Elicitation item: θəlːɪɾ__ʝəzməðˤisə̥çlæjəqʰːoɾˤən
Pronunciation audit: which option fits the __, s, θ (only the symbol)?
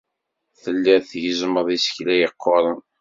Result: θ